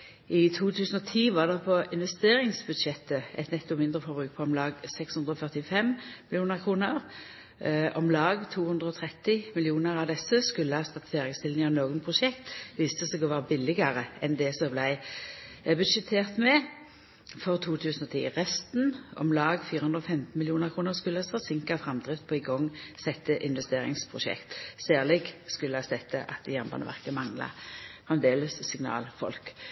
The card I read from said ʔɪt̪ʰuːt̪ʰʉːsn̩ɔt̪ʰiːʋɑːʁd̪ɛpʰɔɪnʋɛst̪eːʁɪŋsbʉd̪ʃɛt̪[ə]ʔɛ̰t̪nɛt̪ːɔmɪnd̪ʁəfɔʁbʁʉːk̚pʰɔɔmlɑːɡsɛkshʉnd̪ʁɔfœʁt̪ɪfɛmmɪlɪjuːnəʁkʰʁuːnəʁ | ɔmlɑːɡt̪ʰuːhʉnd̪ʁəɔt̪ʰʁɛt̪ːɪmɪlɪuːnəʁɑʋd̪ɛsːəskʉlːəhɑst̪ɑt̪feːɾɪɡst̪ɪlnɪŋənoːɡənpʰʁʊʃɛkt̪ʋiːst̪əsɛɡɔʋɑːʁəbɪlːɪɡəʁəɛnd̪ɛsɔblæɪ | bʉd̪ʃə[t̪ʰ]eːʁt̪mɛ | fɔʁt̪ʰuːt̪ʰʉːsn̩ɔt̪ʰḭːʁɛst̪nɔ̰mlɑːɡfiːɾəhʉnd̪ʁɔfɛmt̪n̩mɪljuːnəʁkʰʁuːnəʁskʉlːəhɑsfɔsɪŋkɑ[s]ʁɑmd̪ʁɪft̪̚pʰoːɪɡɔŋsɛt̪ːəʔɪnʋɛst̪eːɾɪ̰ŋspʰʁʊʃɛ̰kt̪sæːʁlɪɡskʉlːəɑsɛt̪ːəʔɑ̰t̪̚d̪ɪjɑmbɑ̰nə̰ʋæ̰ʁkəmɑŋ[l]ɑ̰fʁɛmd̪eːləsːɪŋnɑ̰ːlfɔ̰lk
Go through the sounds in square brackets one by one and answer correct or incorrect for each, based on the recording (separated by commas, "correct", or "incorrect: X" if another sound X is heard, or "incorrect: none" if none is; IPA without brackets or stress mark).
correct, correct, incorrect: f, correct